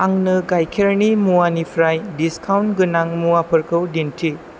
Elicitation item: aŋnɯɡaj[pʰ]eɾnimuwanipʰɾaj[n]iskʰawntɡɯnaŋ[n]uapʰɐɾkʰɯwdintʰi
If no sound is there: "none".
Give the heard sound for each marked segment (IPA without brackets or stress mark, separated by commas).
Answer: kʰ, d, m